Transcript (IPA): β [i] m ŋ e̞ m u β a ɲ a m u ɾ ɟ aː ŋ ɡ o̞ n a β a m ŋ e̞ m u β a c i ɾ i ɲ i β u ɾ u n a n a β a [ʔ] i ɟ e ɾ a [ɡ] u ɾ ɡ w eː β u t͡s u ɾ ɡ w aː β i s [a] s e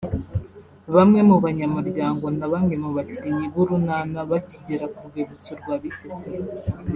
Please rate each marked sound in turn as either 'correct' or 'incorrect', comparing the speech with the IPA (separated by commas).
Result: incorrect, incorrect, incorrect, incorrect